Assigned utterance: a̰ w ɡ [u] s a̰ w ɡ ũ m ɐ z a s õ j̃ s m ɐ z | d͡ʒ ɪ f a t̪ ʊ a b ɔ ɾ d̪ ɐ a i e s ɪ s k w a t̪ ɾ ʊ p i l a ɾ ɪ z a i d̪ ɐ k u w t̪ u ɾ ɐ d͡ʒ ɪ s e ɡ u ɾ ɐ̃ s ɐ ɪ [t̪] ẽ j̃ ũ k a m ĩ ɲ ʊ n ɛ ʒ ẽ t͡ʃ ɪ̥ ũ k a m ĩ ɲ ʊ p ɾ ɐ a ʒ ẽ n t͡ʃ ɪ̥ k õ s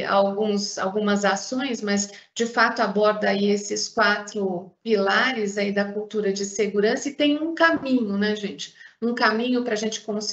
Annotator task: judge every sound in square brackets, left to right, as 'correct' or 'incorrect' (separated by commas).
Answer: incorrect, correct